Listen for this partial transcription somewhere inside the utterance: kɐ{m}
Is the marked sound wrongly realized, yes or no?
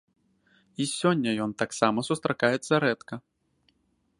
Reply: yes